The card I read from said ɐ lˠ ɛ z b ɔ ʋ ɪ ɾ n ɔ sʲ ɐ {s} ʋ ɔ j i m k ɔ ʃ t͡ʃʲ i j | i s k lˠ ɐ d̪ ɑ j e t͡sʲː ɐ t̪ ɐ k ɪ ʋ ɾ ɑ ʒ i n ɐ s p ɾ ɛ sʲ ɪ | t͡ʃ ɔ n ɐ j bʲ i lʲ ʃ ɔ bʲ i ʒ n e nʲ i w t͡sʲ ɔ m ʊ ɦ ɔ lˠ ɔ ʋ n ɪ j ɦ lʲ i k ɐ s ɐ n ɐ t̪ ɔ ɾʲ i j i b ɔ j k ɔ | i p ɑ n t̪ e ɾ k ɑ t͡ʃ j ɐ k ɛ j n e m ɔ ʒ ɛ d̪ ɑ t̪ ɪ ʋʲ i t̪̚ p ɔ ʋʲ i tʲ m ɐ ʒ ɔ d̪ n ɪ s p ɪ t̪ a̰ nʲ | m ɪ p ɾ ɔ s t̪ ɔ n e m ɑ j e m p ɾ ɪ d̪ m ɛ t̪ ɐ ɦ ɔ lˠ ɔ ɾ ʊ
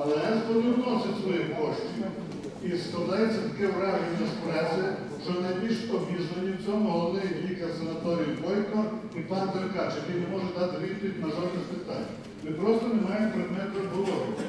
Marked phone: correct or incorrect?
correct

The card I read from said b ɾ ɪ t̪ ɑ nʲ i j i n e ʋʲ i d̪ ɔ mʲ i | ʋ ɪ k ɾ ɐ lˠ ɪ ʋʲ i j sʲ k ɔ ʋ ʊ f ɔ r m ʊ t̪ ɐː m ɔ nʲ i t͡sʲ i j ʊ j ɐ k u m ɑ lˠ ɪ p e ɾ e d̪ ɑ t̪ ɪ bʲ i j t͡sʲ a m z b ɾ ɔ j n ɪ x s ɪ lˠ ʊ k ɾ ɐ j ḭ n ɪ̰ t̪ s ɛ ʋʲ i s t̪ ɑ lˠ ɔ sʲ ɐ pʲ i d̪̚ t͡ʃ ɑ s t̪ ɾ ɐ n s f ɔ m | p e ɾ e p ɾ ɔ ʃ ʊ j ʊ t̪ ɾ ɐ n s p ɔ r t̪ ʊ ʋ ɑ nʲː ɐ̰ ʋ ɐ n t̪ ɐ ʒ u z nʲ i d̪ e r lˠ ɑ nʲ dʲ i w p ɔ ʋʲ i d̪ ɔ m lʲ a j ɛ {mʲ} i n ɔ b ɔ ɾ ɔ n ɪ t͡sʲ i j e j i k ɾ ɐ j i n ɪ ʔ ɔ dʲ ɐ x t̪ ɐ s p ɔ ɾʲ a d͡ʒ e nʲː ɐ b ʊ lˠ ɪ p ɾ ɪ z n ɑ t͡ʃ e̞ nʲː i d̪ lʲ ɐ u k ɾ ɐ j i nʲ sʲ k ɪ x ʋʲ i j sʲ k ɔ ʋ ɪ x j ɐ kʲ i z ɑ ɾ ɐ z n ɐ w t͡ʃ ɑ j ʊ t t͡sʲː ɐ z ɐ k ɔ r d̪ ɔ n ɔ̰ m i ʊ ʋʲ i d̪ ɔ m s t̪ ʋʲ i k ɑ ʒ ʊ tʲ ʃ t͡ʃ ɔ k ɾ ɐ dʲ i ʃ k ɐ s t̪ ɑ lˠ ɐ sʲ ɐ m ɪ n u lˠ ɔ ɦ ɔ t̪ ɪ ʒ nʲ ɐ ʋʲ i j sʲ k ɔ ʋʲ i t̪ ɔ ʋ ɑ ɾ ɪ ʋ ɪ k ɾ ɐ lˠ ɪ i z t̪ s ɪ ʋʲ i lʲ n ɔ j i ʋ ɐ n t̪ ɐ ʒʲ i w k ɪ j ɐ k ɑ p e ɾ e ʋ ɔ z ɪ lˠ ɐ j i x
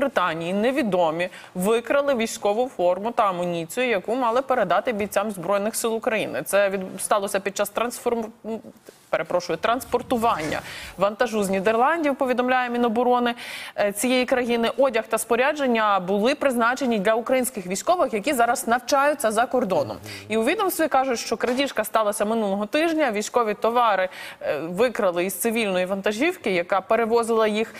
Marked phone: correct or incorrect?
correct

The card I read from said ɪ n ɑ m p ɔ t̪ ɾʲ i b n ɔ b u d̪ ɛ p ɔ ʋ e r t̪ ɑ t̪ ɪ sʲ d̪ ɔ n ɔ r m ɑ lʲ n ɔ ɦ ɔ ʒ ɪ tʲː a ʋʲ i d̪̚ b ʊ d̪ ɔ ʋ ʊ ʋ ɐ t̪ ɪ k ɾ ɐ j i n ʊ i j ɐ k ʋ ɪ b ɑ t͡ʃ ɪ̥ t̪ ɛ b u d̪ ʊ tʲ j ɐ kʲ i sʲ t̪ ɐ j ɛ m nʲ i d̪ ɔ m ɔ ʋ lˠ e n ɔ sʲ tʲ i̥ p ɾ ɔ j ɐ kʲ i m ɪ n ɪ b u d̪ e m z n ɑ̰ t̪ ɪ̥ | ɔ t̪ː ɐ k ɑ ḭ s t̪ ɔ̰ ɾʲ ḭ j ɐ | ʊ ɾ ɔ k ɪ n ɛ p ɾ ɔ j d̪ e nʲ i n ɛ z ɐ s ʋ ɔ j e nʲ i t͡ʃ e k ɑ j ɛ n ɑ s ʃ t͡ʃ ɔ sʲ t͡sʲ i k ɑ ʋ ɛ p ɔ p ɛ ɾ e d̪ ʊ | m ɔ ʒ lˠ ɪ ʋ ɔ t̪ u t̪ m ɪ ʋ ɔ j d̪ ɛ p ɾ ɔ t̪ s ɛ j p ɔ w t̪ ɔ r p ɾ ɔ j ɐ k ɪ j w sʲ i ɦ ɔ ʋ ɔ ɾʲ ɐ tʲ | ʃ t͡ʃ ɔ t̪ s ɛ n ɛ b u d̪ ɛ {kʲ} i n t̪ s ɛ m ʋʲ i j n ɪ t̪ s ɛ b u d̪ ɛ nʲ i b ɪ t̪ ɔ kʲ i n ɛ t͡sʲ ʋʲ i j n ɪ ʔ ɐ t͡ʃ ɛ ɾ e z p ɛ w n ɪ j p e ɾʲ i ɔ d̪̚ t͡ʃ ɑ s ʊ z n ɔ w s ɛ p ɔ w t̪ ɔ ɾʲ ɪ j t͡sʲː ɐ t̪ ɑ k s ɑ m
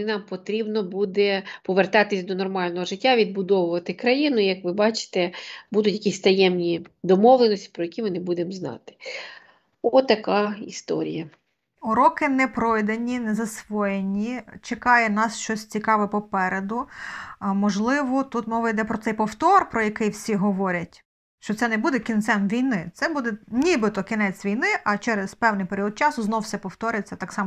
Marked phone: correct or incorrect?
correct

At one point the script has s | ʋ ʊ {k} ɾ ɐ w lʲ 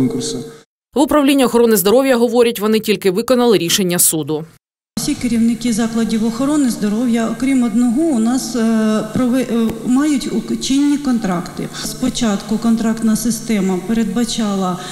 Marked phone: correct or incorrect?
incorrect: p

